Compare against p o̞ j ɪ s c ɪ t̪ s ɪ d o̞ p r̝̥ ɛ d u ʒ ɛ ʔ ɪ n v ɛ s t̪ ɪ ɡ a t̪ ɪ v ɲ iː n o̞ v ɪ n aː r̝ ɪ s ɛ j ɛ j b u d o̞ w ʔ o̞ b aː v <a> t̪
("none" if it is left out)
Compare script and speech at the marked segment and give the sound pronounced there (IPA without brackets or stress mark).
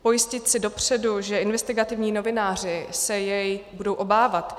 a